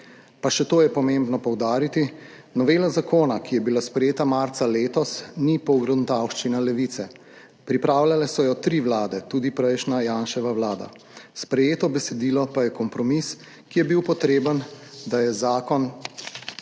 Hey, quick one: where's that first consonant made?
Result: lips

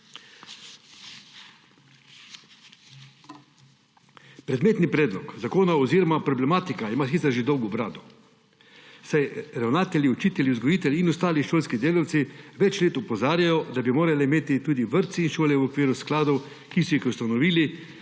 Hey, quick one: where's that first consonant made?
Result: lips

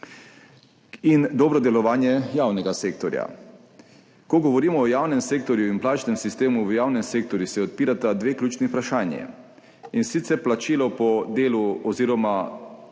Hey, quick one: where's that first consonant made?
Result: tongue tip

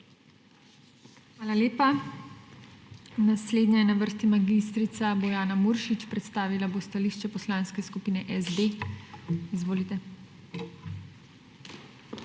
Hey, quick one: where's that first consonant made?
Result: velum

